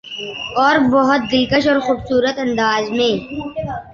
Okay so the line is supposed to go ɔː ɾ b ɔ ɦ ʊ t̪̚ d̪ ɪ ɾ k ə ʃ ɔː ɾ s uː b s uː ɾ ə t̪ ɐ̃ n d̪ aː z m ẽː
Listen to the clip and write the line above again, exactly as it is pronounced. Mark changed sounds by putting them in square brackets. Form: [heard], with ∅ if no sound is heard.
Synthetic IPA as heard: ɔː ɾ b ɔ ɦ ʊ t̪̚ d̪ ɪ [l] k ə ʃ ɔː ɾ [x] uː b s uː ɾ ə t̪ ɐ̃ n d̪ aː z m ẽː